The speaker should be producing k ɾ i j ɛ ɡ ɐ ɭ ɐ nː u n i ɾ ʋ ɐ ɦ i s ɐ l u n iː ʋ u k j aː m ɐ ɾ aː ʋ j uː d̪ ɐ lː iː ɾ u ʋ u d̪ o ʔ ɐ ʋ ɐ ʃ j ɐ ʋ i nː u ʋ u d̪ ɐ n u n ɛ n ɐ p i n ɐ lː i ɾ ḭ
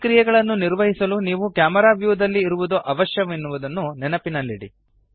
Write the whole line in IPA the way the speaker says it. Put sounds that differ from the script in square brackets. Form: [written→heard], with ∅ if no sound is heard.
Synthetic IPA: k ɾ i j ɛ ɡ ɐ ɭ ɐ nː u n i ɾ ʋ ɐ ɦ i s ɐ l u n iː ʋ u k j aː m ɐ ɾ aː ʋ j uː d̪ ɐ lː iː ɾ u ʋ u d̪ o ʔ ɐ ʋ ɐ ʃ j ɐ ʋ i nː u ʋ u d̪ ɐ [n→nː] u n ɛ n ɐ p i n ɐ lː i [ɾ→ɽ] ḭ